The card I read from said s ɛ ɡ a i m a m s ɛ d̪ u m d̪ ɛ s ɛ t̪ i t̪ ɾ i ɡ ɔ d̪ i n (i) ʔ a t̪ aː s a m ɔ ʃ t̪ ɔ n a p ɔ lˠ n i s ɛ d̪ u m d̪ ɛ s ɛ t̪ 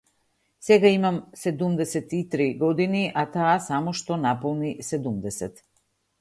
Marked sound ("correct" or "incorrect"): correct